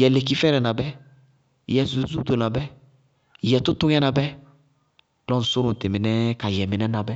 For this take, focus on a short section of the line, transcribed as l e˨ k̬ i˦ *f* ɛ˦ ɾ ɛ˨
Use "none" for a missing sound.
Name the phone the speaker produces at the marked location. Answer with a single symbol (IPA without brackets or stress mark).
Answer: f